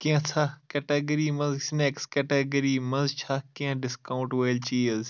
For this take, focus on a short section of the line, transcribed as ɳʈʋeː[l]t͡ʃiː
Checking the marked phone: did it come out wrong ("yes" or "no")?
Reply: no